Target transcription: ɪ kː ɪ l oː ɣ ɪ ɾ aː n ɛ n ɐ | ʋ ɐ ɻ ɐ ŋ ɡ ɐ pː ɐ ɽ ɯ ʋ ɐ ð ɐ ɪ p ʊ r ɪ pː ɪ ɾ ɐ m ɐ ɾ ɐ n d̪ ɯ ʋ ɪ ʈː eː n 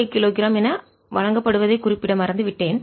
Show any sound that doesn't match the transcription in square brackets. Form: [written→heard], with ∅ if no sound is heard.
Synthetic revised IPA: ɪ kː ɪ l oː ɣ ɪ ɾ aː [n→m] ɛ n ɐ | ʋ ɐ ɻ ɐ ŋ ɡ ɐ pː ɐ ɽ ɯ ʋ ɐ ð ɐ ɪ [p→k] ʊ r ɪ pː ɪ [ɾ→ɽ] ɐ m ɐ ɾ ɐ n d̪ ɯ ʋ ɪ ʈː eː n